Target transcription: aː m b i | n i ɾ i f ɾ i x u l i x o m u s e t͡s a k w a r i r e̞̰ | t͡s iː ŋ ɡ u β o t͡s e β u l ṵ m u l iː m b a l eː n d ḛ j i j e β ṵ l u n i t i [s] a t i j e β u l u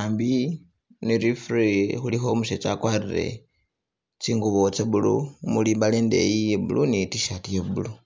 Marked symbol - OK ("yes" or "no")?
no